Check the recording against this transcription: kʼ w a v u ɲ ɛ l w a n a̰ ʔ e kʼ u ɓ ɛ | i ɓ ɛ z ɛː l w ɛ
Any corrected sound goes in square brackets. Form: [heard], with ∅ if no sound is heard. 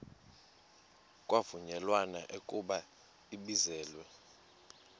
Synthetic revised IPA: kʼ w a v u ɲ ɛ l w a n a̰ ʔ e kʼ u ɓ [a] | i ɓ [i] z ɛː l w ɛ